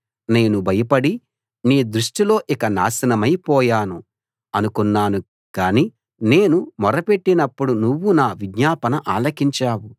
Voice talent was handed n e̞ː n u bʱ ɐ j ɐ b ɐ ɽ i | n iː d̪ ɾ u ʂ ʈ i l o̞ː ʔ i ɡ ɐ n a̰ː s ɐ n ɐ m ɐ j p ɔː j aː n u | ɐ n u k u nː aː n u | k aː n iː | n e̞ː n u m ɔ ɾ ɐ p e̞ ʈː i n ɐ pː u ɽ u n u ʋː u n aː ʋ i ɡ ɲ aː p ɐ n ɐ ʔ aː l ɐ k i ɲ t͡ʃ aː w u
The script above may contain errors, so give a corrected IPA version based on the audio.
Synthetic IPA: n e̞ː n u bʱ ɐ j ɐ p ɐ ɽ i | n iː d̪ ɾ u ʂ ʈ i l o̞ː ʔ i k ɐ n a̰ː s ɐ n ɐ m ɐ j p ɔː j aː n u | ɐ n u k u nː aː n u | k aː n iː | n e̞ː n u m ɔ ɾ ɐ p e̞ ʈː i n ɐ pː u ɽ u n u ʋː u n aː ʋ i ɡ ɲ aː p ɐ n ɐ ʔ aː l ɐ k i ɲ t͡ʃ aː w u

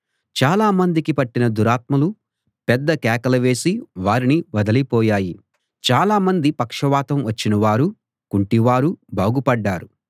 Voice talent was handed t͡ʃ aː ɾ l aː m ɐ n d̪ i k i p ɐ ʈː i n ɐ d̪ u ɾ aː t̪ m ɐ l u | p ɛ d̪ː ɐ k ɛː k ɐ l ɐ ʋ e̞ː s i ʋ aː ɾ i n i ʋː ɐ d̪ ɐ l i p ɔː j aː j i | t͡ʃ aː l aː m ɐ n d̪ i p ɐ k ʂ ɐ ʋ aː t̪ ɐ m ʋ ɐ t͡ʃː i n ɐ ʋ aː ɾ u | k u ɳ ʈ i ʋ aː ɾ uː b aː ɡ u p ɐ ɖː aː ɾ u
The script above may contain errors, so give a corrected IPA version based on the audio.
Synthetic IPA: t͡ʃ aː l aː m ɐ n d̪ i k i p ɐ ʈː i n ɐ d̪ u ɾ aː t̪ m ɐ l u | p ɛ d̪ː ɐ k ɛː k ɐ l ɐ ʋ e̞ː s i ʋ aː ɾ i n i ʋ ɐ d̪ ɐ l i p ɔː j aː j i | t͡ʃ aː l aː m ɐ n d̪ i p ɐ k ʂ ɐ ʋ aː t̪ ɐ m ʋ ɐ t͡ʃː i n ɐ ʋ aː ɾ u | k u ɳ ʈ i ʋ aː ɾ u b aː ɡ u p ɐ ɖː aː ɾ u

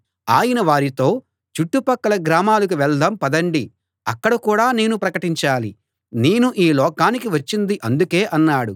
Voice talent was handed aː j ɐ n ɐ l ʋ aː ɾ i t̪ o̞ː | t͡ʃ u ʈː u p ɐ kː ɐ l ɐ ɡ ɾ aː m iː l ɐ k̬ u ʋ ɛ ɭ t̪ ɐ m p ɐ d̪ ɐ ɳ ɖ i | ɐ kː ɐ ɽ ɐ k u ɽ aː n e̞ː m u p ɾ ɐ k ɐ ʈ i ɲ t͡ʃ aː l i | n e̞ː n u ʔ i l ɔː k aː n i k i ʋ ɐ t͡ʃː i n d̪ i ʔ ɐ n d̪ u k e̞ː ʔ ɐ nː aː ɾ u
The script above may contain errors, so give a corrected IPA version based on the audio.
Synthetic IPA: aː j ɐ n ɐ ʋ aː ɾ i t̪ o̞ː | t͡ʃ u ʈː u p ɐ kː ɐ l ɐ ɡ ɾ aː m aː l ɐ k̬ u ʋ ɛ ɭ d̪ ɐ m p ɐ d̪ ɐ ɳ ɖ i | ɐ kː ɐ ɽ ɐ k uː ɽ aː n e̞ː n u p ɾ ɐ k ɐ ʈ i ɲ t͡ʃ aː l i | n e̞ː n u ʔ iː l ɔː k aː n i k i ʋ ɐ t͡ʃː i n d̪ i ʔ ɐ n d̪ u k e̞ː ʔ ɐ nː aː ɽ u

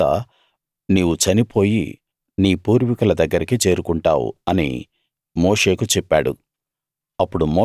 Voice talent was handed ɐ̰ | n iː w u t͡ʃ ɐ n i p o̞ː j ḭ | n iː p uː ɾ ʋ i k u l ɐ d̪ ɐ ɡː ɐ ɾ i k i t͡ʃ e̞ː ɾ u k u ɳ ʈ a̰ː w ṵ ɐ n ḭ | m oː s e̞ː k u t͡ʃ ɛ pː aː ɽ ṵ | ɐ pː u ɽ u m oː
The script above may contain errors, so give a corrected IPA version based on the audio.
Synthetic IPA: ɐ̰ | n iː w u t͡ʃ ɐ n i p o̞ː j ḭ | n iː p uː ɾ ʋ i k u l ɐ d̪ ɐ ɡː ɐ ɾ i k i t͡ʃ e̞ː ɾ u k u ɳ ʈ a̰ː w ṵ ɐ n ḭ | m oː ʂ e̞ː k u t͡ʃ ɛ pː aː ɽ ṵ | ɐ pː u ɽ u m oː

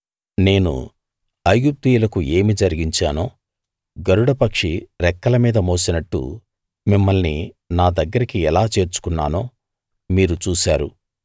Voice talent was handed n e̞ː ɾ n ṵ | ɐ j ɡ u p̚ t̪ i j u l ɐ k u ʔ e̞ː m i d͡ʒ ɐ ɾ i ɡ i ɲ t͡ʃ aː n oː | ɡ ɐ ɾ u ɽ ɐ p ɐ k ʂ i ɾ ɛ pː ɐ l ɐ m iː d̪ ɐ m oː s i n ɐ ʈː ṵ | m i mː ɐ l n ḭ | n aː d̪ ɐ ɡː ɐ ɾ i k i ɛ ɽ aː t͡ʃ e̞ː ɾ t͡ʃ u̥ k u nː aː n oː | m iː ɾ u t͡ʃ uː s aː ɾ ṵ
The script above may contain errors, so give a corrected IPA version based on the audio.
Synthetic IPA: n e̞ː n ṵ | ɐ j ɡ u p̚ t̪ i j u l ɐ k u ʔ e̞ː m i d͡ʒ ɐ ɾ i ɡ i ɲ t͡ʃ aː n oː | ɡ ɐ ɾ u ɽ ɐ p ɐ k ʂ i ɾ ɛ kː ɐ l ɐ m iː d̪ ɐ m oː s i n ɐ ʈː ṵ | m i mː ɐ l n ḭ | n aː d̪ ɐ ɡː ɐ ɾ i k i ɛ l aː t͡ʃ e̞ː ɾ t͡ʃ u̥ k u nː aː n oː | m iː ɾ u t͡ʃ uː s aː ɾ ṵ

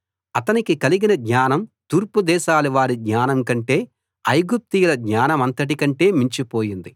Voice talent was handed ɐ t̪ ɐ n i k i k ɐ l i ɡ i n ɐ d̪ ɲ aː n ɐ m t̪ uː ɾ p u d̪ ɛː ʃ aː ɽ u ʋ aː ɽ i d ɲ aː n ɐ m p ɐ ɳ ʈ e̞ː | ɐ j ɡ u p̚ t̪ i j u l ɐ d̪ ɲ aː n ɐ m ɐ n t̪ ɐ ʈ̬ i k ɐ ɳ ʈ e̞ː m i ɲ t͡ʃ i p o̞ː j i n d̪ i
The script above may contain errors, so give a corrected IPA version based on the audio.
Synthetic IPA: ɐ t̪ ɐ n i k i k ɐ l i ɡ i n ɐ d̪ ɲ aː n ɐ m t̪ uː ɾ p u d̪ ɛː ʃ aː l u ʋ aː ɾ i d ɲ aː n ɐ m k ɐ ɳ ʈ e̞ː | ɐ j ɡ u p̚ t̪ i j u l ɐ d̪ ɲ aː n ɐ m ɐ n t̪ ɐ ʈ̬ i k ɐ ɳ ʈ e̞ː m i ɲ t͡ʃ i p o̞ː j i n d̪ i

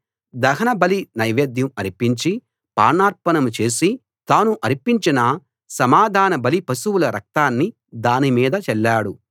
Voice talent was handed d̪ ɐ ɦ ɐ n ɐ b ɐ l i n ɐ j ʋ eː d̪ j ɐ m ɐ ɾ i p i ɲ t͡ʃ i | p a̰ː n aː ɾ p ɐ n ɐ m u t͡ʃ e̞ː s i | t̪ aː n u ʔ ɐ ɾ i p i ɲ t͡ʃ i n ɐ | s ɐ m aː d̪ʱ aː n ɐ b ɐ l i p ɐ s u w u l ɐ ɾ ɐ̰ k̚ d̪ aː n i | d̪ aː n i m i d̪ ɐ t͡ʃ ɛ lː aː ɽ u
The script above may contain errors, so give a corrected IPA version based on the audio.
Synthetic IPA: d̪ ɐ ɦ ɐ n ɐ b ɐ l i n ɐ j ʋ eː d̪ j ɐ m ɐ ɾ i p i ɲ t͡ʃ i | p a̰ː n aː ɾ p ɐ n ɐ m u t͡ʃ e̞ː s i | t̪ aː n u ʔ ɐ ɾ i p i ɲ t͡ʃ i n ɐ | s ɐ m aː d̪ʱ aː n ɐ b ɐ l i p ɐ s u w u l ɐ ɾ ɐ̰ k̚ t̪ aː nː i | d̪ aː n i m iː d̪ ɐ t͡ʃ ɛ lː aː ɽ u

